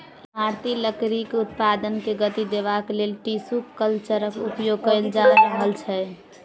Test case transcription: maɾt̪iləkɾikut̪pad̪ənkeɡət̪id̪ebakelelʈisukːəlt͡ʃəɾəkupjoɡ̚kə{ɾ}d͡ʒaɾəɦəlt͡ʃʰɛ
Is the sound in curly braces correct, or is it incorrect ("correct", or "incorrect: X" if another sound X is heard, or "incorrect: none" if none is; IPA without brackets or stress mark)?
incorrect: l